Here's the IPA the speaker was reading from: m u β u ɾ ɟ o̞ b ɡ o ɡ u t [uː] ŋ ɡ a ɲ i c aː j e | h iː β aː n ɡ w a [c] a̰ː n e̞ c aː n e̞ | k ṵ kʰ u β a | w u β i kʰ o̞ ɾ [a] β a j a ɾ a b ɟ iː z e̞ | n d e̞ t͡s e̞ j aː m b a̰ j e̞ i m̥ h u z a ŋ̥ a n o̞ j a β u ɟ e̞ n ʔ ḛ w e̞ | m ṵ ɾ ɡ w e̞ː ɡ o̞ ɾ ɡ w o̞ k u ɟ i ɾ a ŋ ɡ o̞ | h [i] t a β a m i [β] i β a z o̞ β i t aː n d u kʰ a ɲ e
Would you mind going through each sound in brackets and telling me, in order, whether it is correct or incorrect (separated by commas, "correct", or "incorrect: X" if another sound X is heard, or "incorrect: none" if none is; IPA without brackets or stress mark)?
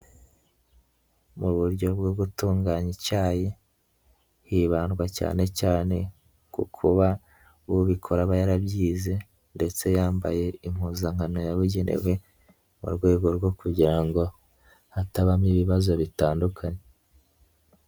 correct, correct, correct, incorrect: a, correct